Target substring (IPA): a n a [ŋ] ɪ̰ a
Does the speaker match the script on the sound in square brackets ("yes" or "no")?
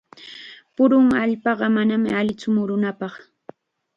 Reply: no